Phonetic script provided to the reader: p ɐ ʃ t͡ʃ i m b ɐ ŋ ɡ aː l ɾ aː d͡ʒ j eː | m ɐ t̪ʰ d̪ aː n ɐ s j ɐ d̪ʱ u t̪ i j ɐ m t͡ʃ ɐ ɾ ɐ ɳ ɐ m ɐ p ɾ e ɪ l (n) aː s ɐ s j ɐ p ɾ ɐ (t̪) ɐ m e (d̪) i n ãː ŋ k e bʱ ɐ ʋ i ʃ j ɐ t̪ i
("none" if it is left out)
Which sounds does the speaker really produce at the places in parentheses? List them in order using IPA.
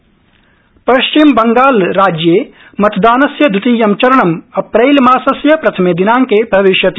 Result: m, t̪ʰ, d̪

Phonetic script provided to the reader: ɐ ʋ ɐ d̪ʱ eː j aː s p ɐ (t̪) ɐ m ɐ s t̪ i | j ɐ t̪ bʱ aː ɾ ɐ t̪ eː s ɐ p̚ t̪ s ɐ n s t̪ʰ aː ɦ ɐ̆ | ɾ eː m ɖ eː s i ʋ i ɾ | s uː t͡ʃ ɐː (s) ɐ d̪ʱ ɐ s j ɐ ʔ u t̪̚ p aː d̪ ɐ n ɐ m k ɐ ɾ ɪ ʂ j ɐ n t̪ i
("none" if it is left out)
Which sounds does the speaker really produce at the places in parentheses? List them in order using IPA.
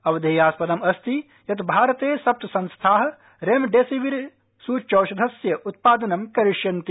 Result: d̪, ʃ

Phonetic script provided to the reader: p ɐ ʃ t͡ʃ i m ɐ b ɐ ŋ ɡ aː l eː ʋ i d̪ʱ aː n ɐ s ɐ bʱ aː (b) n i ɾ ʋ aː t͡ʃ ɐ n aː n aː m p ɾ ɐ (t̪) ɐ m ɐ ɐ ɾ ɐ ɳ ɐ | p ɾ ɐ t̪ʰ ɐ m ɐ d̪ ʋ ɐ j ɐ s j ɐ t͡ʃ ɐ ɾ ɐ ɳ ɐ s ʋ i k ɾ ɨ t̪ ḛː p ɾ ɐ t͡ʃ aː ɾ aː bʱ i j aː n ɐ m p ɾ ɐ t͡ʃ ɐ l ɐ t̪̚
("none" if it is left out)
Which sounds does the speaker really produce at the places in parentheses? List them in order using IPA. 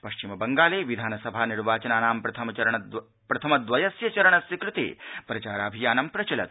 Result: none, t̪ʰ

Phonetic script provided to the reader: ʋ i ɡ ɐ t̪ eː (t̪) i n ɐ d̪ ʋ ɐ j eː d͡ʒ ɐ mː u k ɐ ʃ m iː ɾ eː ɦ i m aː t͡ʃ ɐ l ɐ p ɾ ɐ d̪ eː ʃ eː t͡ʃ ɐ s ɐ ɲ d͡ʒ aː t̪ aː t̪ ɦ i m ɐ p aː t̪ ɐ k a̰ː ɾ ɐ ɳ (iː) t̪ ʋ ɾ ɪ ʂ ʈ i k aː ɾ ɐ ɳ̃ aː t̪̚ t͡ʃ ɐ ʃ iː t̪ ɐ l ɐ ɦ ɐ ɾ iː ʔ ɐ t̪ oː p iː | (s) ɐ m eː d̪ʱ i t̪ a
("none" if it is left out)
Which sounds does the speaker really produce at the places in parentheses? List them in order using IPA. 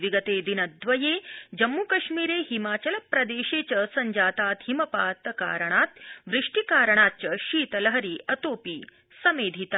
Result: d̪, aː, s

